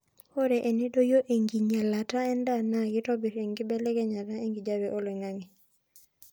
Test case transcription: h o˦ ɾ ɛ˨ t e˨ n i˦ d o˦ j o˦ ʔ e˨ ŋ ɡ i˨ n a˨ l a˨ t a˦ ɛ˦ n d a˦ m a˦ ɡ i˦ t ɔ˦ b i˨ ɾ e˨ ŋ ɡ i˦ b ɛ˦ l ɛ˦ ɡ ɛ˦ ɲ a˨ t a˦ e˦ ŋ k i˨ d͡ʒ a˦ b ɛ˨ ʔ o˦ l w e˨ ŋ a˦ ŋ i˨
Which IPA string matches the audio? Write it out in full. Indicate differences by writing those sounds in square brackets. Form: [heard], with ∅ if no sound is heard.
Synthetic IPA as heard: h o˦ ɾ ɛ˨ [ʔ] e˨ n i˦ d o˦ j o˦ ʔ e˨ ŋ ɡ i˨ [ɲ] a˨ l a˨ t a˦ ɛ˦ n d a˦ [n] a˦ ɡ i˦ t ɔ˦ b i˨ ɾ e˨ ŋ ɡ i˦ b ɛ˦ l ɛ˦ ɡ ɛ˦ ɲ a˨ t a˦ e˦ ŋ [ɡ] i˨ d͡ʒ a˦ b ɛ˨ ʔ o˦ l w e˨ ŋ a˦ ŋ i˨